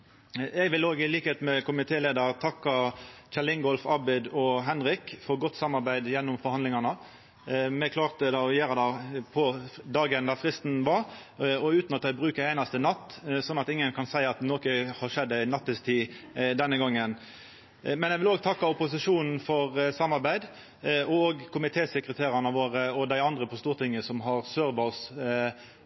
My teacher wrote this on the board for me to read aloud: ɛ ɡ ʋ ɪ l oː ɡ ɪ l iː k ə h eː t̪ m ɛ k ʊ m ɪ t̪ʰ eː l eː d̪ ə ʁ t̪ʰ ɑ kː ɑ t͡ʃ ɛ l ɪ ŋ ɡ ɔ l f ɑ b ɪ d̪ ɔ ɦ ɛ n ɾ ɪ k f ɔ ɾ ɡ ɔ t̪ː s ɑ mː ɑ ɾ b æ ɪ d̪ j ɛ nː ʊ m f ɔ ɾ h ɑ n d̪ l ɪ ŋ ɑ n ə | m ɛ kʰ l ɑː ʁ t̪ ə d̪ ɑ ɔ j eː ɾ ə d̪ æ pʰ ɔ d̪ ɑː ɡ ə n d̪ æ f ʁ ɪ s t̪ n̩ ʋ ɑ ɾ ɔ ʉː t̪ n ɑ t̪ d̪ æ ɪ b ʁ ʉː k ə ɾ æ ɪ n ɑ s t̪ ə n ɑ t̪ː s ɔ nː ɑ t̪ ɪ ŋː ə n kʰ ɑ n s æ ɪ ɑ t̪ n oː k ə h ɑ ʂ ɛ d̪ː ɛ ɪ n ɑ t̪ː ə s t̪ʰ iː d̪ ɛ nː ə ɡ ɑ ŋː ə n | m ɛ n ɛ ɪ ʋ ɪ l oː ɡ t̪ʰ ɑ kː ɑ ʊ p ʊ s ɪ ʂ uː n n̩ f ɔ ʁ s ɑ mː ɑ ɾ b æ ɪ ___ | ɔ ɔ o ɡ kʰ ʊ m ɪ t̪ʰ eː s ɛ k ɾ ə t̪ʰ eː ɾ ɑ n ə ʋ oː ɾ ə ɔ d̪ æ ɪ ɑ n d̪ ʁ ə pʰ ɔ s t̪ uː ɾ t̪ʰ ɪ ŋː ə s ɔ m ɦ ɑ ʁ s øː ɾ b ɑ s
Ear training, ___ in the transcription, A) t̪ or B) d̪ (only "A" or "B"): B